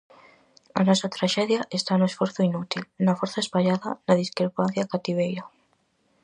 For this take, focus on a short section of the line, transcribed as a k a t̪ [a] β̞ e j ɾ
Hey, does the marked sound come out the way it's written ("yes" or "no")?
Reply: no